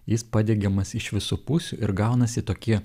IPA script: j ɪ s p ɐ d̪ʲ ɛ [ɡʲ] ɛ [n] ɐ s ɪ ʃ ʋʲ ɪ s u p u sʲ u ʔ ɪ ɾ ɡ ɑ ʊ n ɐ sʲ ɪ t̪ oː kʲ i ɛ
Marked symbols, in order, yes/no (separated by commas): yes, no